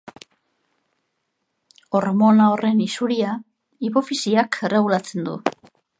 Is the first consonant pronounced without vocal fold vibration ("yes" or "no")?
no